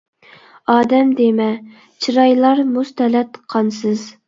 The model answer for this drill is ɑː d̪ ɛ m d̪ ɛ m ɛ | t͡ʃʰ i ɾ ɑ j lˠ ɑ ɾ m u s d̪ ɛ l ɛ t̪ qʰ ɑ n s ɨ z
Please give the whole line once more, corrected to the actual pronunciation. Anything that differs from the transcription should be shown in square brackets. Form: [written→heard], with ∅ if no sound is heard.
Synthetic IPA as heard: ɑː d̪ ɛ m d̪ [ɛ→e] m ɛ | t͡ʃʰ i ɾ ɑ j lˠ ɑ ɾ m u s [d̪→t̪] ɛ l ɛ t̪ qʰ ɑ n s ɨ z